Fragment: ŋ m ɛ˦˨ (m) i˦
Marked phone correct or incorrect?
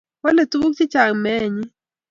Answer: incorrect